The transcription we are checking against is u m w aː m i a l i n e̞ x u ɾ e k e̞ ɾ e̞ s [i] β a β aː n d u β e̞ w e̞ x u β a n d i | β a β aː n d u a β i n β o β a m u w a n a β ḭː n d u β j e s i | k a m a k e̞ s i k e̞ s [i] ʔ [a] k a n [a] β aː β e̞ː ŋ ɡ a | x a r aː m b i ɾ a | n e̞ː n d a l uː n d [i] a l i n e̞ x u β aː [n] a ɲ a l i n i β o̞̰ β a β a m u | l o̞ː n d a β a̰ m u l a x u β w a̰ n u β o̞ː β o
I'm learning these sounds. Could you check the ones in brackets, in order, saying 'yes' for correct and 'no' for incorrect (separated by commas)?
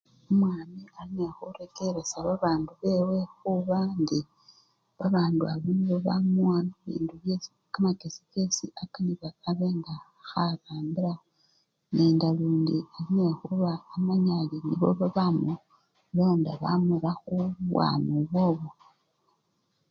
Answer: no, yes, yes, no, yes, no